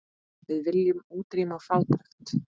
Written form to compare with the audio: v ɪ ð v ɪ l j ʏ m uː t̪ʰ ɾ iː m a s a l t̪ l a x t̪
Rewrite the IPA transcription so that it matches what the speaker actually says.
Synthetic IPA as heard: v ɪ ð v ɪ l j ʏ m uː t̪ ɾ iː m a f a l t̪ ɾ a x t̪

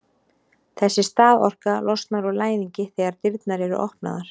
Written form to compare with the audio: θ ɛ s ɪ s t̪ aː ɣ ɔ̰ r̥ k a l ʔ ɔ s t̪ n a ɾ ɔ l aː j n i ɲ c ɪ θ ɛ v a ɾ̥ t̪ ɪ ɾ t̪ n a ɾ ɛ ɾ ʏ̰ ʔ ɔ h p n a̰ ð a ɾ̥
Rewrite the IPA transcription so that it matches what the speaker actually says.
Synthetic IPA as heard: θ ɛ sː ɪ s t̪ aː ð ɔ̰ r̥ k a l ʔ ɔ s t̪ n a ɾ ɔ l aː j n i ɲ c ɪ θ ɛ ɣ a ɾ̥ t̪ ɪ ɾ t̪ n a ɾ ɛ ɾ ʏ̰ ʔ ɔ h p n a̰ ð a ɾ̥

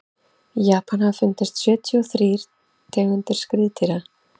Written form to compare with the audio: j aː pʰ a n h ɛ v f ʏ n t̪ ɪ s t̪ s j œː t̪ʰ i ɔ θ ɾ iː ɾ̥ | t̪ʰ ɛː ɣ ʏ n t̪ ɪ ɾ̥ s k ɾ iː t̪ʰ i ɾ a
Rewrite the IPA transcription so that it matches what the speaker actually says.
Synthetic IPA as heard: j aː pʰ a n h a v f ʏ n t̪ ɪ s t̪ s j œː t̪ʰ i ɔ θ ɾ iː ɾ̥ | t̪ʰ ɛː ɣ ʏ n t̪ ɪ ɾ̥ s k ɾ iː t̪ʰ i ɾ a

